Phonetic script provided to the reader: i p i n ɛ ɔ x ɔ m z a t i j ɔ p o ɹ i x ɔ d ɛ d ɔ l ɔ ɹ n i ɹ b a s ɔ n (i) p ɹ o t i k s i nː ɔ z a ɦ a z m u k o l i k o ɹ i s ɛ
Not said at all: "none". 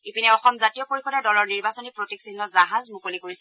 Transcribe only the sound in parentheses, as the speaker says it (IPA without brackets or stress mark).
i